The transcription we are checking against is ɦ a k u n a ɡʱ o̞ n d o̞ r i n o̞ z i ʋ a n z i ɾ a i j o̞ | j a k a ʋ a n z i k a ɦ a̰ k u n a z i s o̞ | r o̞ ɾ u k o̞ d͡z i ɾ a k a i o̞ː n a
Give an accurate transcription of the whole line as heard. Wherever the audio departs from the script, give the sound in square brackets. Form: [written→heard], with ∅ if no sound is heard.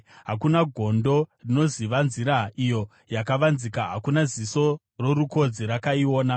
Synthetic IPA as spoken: ɦ a k u n a ɡʱ o̞ n d o̞ r i n o̞ z i ʋ a n z i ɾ a i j o̞ | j a k a ʋ a n z i k a ɦ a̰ k u n a z i s o̞ | r o̞ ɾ u k o̞ d͡z i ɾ a k a i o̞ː n a